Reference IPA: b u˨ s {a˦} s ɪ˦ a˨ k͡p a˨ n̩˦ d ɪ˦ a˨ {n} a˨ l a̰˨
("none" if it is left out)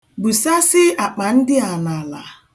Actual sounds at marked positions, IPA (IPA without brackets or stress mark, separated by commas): a˦, n